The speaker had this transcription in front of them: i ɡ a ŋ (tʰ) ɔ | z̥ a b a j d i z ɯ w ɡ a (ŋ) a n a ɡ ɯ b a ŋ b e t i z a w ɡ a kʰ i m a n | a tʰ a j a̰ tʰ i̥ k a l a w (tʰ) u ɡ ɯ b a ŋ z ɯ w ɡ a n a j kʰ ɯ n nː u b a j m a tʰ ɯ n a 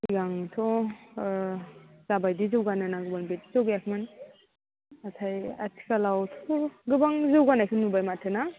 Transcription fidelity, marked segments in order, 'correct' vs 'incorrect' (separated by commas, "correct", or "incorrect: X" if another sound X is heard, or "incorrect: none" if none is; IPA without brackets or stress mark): correct, incorrect: n, correct